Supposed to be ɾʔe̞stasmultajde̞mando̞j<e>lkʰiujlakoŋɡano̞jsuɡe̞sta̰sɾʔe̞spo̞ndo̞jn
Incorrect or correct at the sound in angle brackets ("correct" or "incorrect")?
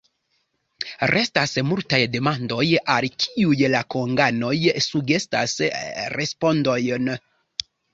incorrect